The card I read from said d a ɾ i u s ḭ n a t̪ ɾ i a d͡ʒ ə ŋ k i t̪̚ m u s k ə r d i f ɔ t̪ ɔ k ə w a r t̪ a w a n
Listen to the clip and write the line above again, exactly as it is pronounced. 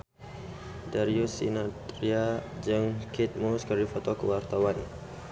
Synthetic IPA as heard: d a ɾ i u s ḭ n a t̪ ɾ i a d͡ʒ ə ŋ k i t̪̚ m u s k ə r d i f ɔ t̪ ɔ k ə w a r t̪ a w a n